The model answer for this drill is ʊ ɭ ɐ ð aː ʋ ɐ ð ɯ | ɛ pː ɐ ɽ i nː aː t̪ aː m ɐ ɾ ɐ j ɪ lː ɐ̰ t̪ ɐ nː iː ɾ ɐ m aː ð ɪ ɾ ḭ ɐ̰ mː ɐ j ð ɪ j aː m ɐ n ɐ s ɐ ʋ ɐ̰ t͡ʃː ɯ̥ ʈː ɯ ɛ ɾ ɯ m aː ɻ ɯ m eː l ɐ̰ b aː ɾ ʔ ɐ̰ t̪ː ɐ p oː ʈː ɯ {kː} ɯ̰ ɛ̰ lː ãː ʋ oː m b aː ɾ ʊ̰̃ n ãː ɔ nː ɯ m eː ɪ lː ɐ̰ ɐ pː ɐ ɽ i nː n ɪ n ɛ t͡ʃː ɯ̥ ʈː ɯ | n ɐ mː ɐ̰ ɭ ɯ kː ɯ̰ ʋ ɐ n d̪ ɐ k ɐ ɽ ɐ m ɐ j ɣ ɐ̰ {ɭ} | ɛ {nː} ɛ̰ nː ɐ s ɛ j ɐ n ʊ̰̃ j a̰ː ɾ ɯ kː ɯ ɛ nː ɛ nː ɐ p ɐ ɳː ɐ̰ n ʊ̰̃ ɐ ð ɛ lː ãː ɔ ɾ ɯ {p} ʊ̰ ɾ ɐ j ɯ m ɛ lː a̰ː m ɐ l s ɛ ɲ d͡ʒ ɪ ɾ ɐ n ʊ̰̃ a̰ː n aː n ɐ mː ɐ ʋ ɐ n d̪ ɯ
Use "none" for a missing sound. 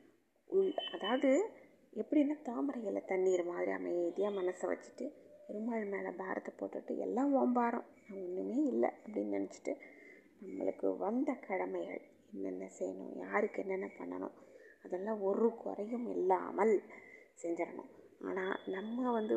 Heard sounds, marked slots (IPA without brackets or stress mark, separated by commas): ʈː, ɭ, nː, k